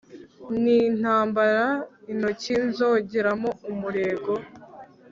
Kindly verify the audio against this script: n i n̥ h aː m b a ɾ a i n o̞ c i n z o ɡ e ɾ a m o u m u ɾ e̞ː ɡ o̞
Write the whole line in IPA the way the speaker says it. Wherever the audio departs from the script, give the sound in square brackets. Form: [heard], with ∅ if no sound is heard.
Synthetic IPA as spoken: n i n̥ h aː m b a ɾ a i n o̞ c i n z o [ɟ] e ɾ a m o u m u ɾ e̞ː ɡ o̞

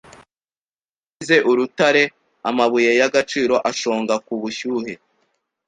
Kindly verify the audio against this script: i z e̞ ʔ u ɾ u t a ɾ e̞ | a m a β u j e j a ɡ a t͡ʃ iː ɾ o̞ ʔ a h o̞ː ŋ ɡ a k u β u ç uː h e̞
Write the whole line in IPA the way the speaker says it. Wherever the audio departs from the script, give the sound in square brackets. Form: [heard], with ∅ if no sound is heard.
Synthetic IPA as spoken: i z e̞ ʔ u ɾ u t a ɾ e̞ | a m a β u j e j a ɡ a t͡ʃ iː ɾ o̞ ʔ a [ʃ] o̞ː ŋ ɡ a k u β u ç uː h e̞

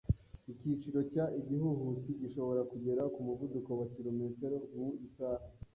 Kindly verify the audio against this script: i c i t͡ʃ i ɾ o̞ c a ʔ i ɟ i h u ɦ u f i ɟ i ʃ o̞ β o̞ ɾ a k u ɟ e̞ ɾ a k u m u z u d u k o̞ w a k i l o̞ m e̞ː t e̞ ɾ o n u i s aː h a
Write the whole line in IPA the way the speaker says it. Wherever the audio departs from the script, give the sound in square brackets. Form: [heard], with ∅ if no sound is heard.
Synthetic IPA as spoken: i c i t͡ʃ i ɾ o̞ c a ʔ i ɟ i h u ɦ u [s] i ɟ i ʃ o̞ β o̞ ɾ a k u ɟ e̞ ɾ a k u m u [v] u d u k o̞ w a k i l o̞ m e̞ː t e̞ ɾ o [m] u i s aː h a

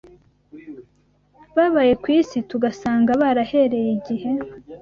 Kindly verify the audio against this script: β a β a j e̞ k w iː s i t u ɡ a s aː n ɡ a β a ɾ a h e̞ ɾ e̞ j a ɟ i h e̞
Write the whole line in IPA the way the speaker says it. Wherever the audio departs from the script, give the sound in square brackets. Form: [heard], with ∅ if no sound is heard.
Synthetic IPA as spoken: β a β a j e̞ k w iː s i t u ɡ a s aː [ŋ] ɡ a β a ɾ a h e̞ ɾ e̞ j [i] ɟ i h e̞

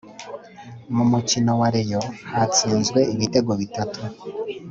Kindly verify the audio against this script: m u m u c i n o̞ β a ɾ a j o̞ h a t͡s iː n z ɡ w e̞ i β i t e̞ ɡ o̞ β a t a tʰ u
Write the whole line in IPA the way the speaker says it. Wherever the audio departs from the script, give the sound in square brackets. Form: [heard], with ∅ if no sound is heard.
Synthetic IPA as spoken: m u m u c i n o̞ [w] a ɾ [e] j o̞ h a t͡s iː n z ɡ w e̞ i β i t e̞ ɡ o̞ β [i] t a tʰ u

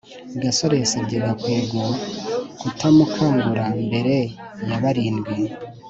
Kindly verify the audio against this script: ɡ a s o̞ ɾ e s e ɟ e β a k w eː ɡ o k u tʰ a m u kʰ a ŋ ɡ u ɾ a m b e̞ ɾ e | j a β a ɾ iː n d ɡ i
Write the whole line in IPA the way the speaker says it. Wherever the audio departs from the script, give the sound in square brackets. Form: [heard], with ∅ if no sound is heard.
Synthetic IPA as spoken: ɡ a s o̞ ɾ e s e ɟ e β a k w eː ɡ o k u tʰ a m u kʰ a ŋ ɡ u ɾ a m b e̞ ɾ e | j a β a ɾ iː n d ɡ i

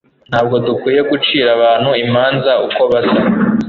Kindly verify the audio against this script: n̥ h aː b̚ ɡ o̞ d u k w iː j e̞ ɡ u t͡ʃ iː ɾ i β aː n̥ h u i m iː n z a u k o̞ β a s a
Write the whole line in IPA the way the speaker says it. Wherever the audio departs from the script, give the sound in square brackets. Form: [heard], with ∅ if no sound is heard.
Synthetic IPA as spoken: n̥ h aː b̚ ɡ o̞ d u k w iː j e̞ ɡ u t͡ʃ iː ɾ [a] β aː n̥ h u i m [aː] n z a u k o̞ β a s a

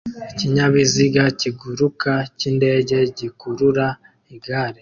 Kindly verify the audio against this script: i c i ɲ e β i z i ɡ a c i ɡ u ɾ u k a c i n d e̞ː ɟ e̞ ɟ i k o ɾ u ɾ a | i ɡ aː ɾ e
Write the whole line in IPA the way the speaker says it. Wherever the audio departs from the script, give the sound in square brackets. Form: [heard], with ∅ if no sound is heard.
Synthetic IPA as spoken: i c i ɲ [a] β i z i ɡ a c i ɡ u ɾ u k a c i n d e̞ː ɟ e̞ ɟ i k [u] ɾ u ɾ a | i ɡ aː ɾ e

